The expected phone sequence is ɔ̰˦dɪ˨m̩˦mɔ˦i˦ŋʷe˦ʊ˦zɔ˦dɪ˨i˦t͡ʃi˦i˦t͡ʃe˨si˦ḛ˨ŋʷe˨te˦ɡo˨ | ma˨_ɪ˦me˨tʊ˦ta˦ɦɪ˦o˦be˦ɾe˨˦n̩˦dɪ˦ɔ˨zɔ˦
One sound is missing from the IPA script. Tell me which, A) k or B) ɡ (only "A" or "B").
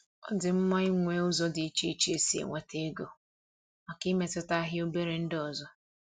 A